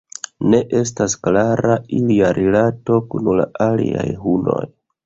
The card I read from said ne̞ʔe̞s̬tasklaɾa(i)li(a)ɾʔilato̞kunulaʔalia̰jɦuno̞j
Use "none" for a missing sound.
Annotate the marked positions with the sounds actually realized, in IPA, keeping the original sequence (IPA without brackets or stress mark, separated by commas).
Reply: i, a